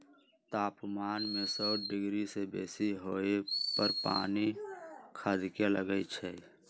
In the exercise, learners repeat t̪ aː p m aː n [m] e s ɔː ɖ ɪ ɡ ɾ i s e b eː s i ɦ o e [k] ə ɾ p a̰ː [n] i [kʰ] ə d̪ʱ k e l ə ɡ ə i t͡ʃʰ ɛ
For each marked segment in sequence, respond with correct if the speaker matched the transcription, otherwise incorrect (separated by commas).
correct, incorrect, correct, correct